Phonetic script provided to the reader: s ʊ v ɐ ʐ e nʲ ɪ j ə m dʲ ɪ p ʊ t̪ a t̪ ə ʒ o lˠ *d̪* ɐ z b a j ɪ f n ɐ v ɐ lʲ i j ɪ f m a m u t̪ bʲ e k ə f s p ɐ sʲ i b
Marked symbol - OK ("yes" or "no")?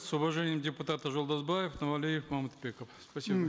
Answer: yes